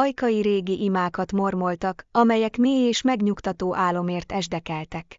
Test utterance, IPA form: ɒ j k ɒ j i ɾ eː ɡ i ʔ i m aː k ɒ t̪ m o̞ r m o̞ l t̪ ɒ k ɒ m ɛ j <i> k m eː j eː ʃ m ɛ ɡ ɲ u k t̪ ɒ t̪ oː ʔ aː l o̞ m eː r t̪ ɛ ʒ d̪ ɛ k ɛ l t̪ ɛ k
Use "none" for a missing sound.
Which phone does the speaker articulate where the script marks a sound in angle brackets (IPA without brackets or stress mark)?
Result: ɛ